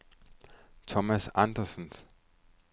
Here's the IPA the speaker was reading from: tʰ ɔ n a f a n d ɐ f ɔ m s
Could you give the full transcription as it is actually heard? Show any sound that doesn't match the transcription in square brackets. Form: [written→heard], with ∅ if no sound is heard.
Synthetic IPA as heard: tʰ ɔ [n→m] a [f→s] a n d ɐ [f→s] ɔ [m→n] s